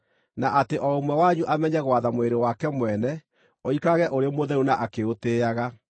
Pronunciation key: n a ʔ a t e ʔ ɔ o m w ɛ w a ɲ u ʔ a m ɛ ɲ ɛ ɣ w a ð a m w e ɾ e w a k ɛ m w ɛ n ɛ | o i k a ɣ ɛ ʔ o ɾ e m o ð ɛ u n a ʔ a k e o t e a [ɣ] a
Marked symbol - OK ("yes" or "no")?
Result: yes